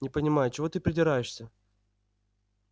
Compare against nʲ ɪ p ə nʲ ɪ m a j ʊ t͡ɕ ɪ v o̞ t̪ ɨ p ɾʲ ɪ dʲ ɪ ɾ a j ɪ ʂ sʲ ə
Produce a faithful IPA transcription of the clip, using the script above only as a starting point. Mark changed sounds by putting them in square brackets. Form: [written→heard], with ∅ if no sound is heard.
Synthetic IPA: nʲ ɪ p ə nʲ ɪ m a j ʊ t͡ɕ ɪ v o̞ t̪ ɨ p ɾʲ ɪ dʲ ɪ ɾ a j ɪ ʂ sʲ ə